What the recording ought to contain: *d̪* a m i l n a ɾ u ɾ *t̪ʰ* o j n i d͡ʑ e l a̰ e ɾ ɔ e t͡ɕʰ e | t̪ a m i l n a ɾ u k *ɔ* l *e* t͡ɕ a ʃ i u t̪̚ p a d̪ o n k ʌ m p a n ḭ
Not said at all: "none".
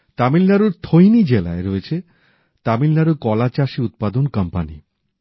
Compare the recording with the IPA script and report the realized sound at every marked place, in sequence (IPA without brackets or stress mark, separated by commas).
t̪, t̪ʰ, ɔ, a